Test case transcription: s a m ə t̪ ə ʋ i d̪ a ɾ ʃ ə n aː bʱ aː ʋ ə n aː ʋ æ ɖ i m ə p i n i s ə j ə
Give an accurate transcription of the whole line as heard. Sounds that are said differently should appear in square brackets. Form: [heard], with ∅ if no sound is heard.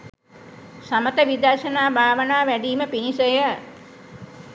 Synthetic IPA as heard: s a m ə t̪ ə ʋ i d̪ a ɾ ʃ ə n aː bʱ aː ʋ ə n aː ʋ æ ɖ [iː] m ə p i n i s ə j ə